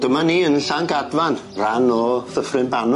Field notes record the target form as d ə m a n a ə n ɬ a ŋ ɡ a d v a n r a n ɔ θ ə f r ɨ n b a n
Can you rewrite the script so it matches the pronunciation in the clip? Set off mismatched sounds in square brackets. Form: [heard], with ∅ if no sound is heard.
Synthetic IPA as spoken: d ə m a n [i] ə n ɬ a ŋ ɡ a d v a n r a n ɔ θ ə f r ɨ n b a n